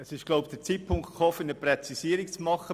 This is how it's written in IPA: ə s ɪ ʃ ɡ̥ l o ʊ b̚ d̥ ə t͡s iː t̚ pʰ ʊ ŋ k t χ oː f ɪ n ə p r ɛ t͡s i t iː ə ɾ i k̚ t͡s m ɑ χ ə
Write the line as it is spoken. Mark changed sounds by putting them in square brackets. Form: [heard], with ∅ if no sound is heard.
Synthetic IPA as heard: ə s ɪ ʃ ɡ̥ l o ʊ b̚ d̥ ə t͡s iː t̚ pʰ ʊ ŋ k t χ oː f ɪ n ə p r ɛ t͡s i [s] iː ə ɾ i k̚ t͡s m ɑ χ ə